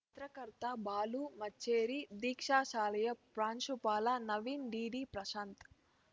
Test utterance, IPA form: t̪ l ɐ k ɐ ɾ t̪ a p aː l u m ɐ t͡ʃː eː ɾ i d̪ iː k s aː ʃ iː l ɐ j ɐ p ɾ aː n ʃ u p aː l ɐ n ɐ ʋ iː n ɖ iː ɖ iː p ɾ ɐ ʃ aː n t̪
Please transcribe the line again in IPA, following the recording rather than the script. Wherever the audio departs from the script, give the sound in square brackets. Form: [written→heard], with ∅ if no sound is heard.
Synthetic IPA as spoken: t̪ [l→ɾ] ɐ k ɐ ɾ t̪ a [p→b] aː l u m ɐ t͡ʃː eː ɾ i d̪ iː k [s→ʂ] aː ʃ [iː→aː] l ɐ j ɐ p ɾ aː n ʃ u p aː l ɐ n ɐ ʋ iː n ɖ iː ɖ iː p ɾ ɐ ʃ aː n t̪